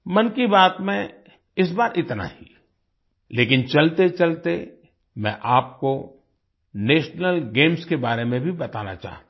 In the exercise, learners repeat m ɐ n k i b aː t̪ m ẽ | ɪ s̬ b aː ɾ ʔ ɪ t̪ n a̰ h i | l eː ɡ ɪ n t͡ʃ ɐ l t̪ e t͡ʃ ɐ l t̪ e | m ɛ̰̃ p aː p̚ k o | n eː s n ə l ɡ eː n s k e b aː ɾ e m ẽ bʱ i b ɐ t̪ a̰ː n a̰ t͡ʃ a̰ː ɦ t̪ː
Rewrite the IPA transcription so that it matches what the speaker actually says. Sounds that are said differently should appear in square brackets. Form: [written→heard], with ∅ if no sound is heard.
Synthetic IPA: m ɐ n k i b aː t̪ m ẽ | ɪ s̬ b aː ɾ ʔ ɪ t̪ n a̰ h i | l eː [ɡ→k] ɪ n t͡ʃ ɐ l t̪ e t͡ʃ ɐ l t̪ e | m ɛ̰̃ [p→ʔ] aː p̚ k o | n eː [s→ʃ] n ə l ɡ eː [n→m] s k e b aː ɾ e m ẽ bʱ i b ɐ t̪ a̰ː n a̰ t͡ʃ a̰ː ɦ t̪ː